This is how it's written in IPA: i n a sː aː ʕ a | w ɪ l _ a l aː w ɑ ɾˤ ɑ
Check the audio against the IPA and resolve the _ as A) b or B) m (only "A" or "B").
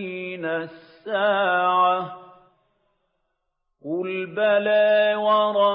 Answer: A